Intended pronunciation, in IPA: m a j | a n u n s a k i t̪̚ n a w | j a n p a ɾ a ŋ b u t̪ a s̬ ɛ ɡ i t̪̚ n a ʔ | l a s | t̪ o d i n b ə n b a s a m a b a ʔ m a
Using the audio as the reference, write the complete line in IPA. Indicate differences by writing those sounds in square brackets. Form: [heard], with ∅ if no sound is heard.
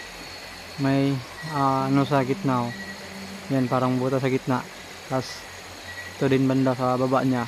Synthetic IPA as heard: m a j | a n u [∅] s a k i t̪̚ n a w | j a n p a ɾ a ŋ b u t̪ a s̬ [a] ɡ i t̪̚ n a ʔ | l a s | t̪ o d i n b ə n [d] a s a [b] a b a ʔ [ɲ] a